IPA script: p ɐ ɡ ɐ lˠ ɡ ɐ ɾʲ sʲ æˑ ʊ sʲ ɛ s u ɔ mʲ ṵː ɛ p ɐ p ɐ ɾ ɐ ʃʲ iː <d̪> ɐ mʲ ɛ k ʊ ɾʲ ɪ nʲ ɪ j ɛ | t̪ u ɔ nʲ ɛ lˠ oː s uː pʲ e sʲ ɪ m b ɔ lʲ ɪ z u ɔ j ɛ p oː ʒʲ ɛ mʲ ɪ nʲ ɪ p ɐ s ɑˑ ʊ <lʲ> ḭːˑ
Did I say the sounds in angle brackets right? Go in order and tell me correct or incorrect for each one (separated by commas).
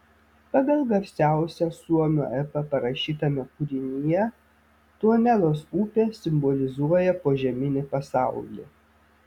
incorrect, correct